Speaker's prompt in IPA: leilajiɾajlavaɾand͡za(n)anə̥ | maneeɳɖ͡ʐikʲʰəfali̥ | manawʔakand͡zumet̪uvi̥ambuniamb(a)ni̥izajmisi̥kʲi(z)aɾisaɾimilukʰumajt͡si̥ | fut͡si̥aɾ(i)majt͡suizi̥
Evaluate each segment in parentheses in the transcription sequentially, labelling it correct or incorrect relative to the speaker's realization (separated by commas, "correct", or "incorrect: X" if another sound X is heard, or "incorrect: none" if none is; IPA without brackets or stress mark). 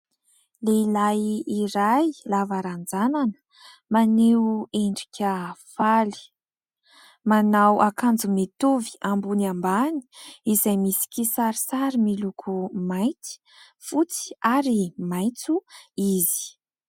correct, correct, incorrect: s, correct